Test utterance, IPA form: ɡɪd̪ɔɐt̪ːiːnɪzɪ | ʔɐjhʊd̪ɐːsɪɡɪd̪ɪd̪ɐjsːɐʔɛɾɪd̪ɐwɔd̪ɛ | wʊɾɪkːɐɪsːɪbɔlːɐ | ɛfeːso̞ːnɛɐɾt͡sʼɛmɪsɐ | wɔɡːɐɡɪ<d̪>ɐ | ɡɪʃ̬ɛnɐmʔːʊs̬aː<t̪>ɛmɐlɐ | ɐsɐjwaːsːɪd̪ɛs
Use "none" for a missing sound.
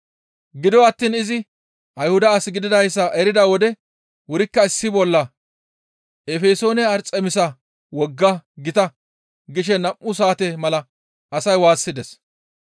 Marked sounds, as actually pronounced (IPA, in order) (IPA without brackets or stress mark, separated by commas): t̪, t̪